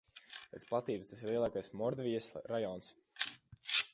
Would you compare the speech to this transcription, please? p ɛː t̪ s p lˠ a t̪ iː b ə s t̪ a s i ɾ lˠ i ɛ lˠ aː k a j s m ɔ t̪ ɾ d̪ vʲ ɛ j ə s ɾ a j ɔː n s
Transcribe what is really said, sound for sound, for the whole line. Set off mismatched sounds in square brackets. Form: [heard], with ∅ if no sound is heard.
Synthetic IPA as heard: p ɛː t̪ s p lˠ a t̪ iː b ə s t̪ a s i ɾ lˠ i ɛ lˠ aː k a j s m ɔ [∅] ɾ d̪ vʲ [i] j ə s ɾ a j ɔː n s